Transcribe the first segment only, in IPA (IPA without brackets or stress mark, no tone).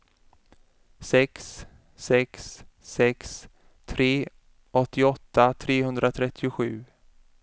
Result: s